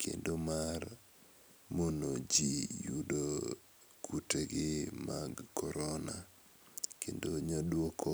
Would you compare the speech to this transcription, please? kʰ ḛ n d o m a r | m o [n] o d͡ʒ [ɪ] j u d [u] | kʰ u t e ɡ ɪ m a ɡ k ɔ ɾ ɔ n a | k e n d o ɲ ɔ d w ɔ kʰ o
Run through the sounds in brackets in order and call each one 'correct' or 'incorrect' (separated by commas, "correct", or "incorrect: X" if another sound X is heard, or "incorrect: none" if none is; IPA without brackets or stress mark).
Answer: correct, incorrect: i, incorrect: o